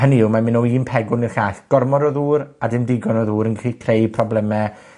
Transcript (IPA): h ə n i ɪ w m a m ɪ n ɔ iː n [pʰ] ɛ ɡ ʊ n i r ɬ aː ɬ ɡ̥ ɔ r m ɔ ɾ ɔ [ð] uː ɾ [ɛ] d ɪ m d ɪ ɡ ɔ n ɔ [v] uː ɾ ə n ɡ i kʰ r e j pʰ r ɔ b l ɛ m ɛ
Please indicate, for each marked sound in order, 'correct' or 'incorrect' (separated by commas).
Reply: correct, correct, incorrect, incorrect